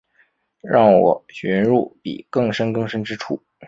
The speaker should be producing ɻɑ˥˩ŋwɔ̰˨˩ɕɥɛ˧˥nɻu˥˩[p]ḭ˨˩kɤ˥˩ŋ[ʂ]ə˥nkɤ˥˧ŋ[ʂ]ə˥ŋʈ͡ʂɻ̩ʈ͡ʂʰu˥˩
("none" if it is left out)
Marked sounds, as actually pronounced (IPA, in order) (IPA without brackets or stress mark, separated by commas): p, ʂ, ʂ